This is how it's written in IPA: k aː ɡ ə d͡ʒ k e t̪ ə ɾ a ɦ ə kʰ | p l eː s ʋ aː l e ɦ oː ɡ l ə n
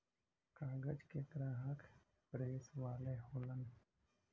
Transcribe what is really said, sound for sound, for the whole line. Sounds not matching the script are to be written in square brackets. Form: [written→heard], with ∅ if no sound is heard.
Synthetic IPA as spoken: k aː ɡ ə d͡ʒ k e t̪ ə ɾ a ɦ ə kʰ | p [l→ɾ] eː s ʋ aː l e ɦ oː [ɡ→∅] l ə n